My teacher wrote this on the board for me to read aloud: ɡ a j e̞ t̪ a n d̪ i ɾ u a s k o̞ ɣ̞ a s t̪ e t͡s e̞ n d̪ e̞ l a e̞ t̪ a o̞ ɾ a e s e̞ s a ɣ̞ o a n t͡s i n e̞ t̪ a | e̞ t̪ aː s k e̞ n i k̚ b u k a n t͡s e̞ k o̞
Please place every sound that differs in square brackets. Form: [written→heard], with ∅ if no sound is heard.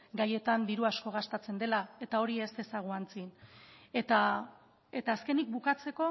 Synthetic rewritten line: ɡ a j e̞ t̪ a n d̪ i ɾ u a s k o̞ ɣ̞ a s t̪ [e→a] t͡s e̞ n d̪ e̞ l a e̞ t̪ a o̞ ɾ [a→i] e s e̞ s a ɣ̞ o a n t͡s i n e̞ t̪ a | e̞ t̪ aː s k e̞ n i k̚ b u k a [n→∅] t͡s e̞ k o̞